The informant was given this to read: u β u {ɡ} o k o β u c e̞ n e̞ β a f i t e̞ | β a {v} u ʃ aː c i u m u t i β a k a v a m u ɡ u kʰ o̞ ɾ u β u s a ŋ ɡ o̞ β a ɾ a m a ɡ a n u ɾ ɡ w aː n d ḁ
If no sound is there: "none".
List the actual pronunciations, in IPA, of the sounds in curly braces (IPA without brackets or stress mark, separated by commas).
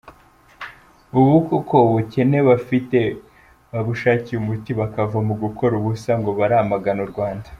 k, β